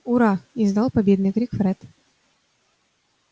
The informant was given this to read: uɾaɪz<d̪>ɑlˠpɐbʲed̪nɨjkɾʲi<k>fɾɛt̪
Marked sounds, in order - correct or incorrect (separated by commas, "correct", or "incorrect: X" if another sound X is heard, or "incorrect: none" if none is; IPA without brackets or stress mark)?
correct, correct